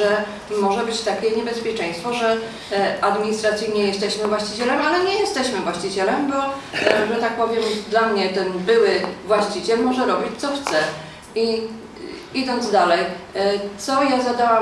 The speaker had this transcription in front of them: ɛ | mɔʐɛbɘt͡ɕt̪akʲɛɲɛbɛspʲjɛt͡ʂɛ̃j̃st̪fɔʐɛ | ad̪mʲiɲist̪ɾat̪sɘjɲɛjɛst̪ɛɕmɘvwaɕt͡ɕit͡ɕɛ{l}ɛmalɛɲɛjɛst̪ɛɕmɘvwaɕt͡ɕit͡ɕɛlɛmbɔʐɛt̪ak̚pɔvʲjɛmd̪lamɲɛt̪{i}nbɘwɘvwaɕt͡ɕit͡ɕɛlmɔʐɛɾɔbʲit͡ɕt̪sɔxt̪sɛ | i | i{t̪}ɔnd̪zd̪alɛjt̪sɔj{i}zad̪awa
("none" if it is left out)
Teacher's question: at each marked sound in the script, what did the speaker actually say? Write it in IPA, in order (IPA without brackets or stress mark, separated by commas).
l, ɛ, d̪, a